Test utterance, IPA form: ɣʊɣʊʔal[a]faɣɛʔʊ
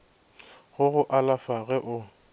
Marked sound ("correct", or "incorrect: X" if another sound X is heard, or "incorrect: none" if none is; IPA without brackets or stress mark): correct